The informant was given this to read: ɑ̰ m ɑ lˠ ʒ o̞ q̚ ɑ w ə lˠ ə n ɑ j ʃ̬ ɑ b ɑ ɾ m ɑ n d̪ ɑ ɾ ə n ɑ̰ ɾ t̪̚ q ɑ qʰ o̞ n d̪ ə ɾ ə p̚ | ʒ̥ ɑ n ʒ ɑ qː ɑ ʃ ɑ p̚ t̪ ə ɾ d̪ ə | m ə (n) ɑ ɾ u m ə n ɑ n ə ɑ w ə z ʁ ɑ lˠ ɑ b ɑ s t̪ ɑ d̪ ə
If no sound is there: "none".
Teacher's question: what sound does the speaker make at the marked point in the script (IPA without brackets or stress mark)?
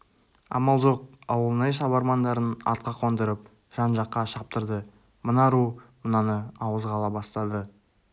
n